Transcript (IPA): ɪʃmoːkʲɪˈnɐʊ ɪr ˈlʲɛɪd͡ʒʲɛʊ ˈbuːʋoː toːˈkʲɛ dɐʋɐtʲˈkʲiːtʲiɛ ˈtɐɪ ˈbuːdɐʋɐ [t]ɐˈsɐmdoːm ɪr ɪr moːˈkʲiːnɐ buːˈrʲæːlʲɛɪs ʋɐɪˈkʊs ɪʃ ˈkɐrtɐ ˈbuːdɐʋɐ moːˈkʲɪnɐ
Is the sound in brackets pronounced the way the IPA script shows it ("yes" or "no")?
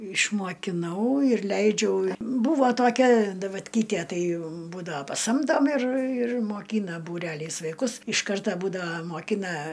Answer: no